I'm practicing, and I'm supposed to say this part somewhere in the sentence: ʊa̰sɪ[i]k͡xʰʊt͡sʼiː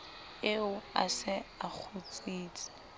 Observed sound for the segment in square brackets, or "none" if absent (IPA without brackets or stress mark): a